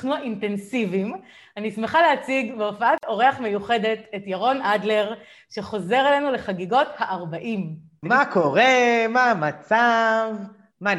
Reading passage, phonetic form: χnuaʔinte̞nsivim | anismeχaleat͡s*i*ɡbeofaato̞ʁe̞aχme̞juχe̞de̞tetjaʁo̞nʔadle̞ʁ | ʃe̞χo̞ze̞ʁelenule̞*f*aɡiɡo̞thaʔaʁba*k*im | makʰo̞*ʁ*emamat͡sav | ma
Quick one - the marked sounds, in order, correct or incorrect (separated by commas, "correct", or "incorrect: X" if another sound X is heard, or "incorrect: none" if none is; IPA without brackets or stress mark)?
correct, incorrect: χ, incorrect: ʔ, correct